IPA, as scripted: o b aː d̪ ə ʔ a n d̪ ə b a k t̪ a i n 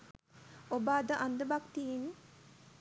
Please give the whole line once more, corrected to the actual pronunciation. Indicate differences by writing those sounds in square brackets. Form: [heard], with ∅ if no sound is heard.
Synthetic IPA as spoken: o b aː d̪ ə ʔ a n d̪ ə b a k t̪ [i] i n